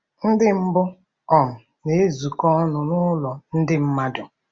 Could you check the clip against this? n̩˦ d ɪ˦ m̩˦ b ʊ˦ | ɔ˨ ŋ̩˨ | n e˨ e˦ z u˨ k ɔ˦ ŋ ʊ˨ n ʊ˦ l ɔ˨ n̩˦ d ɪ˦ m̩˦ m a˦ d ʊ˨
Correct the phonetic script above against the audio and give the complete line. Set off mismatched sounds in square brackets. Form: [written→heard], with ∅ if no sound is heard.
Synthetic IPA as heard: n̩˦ d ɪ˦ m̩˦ b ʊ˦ | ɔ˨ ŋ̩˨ | n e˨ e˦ z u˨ k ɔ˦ [ŋ→n] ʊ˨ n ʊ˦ l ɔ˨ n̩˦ d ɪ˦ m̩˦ m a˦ d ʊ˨